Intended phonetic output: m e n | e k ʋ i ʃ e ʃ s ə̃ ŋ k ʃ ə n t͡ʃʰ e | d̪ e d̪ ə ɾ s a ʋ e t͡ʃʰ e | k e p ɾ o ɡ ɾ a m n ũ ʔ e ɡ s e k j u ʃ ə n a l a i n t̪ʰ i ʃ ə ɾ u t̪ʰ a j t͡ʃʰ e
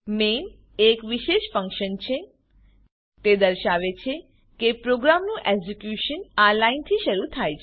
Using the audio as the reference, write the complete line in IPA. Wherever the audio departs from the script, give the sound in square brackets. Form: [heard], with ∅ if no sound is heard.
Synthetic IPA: m e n | e k ʋ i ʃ e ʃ [f] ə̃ ŋ k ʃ ə n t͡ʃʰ e | [t̪] e d̪ ə ɾ [ʃ] a ʋ e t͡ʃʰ e | k e p ɾ o ɡ ɾ a m n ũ ʔ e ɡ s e k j u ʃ ə n a l a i n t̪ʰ i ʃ ə ɾ u t̪ʰ a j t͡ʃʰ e